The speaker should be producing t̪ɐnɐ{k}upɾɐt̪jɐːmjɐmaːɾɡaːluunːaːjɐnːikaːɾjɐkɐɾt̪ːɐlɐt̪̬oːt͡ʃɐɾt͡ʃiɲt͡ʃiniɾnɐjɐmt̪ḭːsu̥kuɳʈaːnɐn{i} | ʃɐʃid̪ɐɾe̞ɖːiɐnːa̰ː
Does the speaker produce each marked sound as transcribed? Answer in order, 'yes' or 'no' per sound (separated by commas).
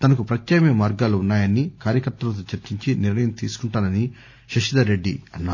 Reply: yes, yes